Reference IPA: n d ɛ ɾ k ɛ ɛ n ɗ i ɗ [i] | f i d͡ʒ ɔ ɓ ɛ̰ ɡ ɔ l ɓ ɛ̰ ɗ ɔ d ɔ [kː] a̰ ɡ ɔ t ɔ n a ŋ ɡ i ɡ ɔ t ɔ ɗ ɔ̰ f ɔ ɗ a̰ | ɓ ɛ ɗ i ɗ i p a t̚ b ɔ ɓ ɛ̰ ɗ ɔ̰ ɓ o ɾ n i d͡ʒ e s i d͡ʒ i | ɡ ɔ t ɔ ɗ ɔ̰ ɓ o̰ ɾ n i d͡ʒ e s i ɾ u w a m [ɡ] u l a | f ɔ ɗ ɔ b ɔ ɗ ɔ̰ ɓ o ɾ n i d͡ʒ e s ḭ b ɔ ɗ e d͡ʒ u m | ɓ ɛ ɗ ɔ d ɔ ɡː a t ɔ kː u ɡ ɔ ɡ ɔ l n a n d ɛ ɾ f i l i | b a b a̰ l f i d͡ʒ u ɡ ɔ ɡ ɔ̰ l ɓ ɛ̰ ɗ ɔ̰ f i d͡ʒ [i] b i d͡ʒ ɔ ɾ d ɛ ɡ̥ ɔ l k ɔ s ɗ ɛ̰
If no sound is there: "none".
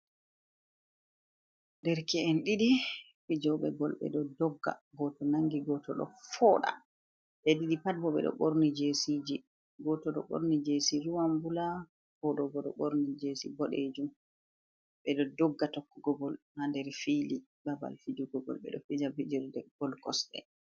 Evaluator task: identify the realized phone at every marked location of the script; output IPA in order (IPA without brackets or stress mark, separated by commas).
i, ɡː, b, a